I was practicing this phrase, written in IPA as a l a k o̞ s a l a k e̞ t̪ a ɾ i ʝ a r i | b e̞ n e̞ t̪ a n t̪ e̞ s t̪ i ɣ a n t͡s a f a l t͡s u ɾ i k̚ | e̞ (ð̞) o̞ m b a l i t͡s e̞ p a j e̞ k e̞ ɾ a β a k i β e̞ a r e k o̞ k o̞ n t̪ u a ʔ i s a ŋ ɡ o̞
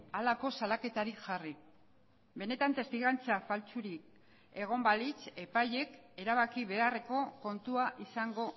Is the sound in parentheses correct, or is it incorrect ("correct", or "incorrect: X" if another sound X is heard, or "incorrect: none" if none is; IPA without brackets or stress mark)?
incorrect: ɣ̞